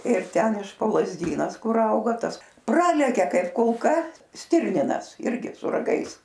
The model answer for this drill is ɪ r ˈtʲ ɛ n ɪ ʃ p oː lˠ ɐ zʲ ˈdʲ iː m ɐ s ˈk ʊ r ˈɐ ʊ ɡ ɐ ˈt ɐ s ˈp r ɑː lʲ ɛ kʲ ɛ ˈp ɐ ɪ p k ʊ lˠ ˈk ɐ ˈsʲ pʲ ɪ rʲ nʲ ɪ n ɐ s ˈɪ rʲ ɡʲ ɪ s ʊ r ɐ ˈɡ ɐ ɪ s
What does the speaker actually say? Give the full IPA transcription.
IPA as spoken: ɪ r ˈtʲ ɛ n ɪ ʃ p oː lˠ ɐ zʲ ˈdʲ iː n ɐ s ˈk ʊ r ˈɐ ʊ ɡ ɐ ˈt ɐ s ˈp r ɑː lʲ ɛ kʲ ɛ ˈk ɐ ɪ p k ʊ lˠ ˈk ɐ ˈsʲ tʲ ɪ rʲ nʲ ɪ n ɐ s ˈɪ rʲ ɡʲ ɪ s ʊ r ɐ ˈɡ ɐ ɪ s